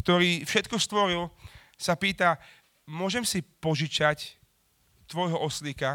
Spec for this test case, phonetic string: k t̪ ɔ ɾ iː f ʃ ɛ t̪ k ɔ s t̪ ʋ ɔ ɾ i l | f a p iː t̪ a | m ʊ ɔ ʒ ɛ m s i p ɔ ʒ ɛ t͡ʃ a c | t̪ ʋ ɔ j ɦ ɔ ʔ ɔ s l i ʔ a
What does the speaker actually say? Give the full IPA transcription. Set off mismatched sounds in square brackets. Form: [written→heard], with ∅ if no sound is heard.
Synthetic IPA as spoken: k t̪ ɔ ɾ iː f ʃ ɛ t̪ k ɔ s t̪ ʋ ɔ ɾ i l | [f→s] a p iː t̪ a | m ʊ ɔ ʒ ɛ m s i p ɔ ʒ [ɛ→i] t͡ʃ a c | t̪ ʋ ɔ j ɦ ɔ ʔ ɔ s l i [ʔ→k] a